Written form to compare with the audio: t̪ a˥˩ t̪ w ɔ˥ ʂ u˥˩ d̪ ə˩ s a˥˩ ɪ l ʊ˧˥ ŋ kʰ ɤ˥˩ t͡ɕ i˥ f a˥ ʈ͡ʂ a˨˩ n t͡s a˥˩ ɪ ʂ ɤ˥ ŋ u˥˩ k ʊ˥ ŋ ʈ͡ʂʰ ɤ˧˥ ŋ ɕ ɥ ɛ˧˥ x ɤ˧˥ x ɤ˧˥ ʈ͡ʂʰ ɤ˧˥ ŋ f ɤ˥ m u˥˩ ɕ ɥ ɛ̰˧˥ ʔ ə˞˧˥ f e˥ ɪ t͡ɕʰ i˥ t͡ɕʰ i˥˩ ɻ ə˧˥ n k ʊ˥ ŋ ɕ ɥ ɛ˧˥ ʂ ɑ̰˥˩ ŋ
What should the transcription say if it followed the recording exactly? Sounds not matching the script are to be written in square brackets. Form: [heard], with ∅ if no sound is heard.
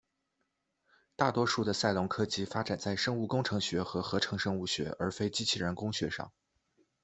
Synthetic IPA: t̪ a˥˩ t̪ w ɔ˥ ʂ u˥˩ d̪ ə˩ s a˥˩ ɪ l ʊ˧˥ ŋ kʰ [ɤ˥] t͡ɕ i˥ f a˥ ʈ͡ʂ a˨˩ n t͡s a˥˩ ɪ ʂ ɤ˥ ŋ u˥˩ k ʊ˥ ŋ ʈ͡ʂʰ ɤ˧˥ ŋ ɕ ɥ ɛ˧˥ x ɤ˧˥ x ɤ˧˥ ʈ͡ʂʰ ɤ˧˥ ŋ [ʂ] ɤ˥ [ŋ] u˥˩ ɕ ɥ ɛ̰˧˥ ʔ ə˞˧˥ f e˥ ɪ [t͡ɕ] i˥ t͡ɕʰ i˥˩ ɻ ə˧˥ n k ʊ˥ ŋ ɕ ɥ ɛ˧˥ ʂ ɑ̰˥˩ ŋ